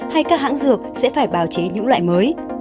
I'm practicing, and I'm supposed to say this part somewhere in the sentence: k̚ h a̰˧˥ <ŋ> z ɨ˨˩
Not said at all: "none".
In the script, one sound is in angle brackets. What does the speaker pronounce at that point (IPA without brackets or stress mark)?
ŋ